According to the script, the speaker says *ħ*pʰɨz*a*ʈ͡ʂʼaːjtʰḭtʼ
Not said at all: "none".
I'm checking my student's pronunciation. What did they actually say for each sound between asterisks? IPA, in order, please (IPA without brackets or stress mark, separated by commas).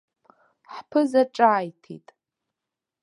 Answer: ħ, a